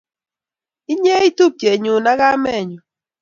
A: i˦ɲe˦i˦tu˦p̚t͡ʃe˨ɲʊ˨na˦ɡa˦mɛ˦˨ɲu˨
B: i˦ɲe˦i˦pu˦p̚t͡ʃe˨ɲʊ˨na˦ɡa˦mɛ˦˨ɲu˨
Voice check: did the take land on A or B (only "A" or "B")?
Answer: A